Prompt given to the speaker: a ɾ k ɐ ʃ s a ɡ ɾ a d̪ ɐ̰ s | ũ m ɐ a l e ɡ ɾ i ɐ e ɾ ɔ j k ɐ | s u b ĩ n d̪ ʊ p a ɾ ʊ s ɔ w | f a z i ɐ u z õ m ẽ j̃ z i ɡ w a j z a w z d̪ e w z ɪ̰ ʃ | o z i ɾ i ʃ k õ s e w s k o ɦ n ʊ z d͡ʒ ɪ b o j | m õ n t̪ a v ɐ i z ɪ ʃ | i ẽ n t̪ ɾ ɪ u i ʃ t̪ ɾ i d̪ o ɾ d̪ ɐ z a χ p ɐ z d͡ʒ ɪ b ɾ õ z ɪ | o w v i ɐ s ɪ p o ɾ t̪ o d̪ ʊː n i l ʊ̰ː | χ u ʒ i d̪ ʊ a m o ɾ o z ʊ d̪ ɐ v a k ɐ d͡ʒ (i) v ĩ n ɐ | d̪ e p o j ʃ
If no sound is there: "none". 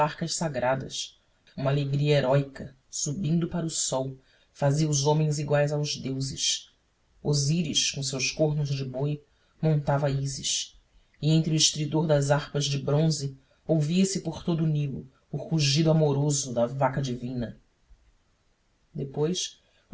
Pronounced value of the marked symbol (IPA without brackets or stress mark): i